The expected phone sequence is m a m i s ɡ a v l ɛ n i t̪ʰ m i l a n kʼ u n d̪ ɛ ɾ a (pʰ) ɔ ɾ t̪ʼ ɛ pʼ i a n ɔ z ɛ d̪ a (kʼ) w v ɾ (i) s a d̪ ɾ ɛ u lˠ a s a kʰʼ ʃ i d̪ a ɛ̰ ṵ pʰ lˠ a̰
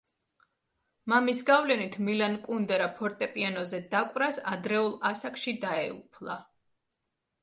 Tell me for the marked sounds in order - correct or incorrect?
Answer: correct, correct, incorrect

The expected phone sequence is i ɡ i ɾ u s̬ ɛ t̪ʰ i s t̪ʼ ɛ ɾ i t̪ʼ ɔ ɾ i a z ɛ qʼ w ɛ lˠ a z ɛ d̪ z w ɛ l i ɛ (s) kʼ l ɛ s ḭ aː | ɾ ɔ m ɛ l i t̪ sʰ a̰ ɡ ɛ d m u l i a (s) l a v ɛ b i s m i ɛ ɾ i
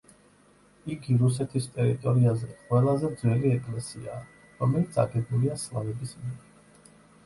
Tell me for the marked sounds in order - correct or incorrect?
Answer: incorrect, correct

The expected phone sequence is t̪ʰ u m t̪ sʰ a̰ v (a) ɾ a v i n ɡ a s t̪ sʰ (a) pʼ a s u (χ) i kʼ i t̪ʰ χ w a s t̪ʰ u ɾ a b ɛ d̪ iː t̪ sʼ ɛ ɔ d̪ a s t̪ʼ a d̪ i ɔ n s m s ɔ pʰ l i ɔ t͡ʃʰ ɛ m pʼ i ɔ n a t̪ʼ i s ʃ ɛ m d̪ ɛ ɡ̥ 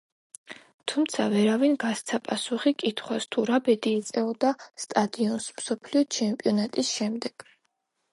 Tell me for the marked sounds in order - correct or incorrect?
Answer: incorrect, correct, correct

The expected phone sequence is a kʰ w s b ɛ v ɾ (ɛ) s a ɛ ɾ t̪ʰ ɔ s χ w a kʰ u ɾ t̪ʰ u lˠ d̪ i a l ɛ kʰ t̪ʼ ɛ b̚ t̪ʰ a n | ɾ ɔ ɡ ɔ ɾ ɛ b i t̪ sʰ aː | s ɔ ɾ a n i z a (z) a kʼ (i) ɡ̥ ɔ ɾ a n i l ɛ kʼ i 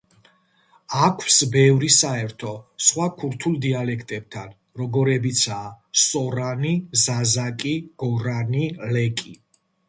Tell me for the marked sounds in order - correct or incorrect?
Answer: incorrect, correct, correct

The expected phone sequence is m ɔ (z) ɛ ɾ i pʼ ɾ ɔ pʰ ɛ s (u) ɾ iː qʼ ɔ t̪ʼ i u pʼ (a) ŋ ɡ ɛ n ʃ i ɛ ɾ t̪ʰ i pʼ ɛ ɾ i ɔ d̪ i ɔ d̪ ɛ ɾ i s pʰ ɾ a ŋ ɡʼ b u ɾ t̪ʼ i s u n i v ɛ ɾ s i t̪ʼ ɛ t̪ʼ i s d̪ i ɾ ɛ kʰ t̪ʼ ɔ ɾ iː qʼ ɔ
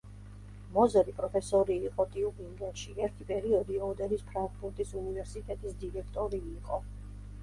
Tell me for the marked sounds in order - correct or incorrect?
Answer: correct, incorrect, incorrect

